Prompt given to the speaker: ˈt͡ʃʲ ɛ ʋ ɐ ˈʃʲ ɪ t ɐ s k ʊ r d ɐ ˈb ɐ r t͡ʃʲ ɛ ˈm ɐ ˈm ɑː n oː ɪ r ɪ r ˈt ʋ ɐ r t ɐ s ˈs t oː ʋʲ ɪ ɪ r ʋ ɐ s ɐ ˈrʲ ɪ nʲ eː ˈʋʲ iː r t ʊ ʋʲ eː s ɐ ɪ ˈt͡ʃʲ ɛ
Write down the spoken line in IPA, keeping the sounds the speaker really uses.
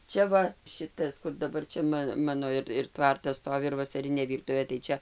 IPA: ˈt͡ʃʲ ɛ ʋ ɐ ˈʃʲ ɪ t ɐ s k ʊ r d ɐ ˈb ɐ r t͡ʃʲ ɛ ˈm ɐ ˈm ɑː n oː ɪ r ɪ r ˈt ʋ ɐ r t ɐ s ˈs t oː ʋʲ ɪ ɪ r ʋ ɐ s ɐ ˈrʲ ɪ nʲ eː ˈʋʲ iː r t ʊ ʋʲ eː t ɐ ɪ ˈt͡ʃʲ ɛ

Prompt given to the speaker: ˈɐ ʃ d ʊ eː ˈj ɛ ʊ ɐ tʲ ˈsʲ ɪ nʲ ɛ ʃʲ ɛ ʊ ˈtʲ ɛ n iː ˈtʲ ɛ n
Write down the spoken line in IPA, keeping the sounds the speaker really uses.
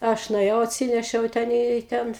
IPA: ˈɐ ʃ n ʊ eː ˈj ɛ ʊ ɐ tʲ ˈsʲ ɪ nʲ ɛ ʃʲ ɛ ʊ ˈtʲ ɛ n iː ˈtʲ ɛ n

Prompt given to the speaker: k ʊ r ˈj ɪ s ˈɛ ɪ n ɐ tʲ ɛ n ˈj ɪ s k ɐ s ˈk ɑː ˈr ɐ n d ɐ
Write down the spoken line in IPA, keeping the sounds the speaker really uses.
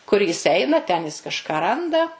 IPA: k ʊ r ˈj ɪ s ˈɛ ɪ n ɐ tʲ ɛ n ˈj ɪ s k ɐ ʃ ˈk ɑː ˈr ɐ n d ɐ

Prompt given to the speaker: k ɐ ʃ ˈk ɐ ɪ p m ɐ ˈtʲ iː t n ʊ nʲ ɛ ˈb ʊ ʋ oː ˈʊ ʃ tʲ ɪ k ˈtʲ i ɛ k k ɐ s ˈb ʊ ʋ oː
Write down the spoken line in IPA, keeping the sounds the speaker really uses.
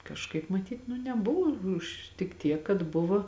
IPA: k ɐ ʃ ˈk ɐ ɪ p m ɐ ˈtʲ iː t n ʊ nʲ ɛ ˈb ʊ ʋ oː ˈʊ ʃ tʲ ɪ k ˈtʲ i ɛ k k ɐ t ˈb ʊ ʋ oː

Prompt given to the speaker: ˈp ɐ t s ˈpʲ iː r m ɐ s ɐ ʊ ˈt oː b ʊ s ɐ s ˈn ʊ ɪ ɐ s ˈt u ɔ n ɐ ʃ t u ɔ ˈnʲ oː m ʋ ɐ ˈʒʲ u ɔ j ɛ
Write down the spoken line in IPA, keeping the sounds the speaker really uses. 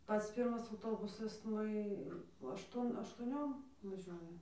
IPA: ˈp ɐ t s ˈpʲ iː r m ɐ s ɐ ʊ ˈt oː b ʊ s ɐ s ˈn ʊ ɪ ɐ ʃ ˈt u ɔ n ɐ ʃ t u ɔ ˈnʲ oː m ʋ ɐ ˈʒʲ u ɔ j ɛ

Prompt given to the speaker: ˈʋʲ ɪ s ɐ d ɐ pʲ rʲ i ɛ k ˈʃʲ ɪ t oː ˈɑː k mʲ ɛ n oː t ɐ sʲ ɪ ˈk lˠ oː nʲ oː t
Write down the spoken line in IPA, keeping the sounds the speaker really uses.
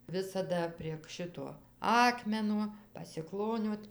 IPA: ˈʋʲ ɪ s ɐ d ɐ pʲ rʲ i ɛ k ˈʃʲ ɪ t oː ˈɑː k mʲ ɛ n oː p ɐ sʲ ɪ ˈk lˠ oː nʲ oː t

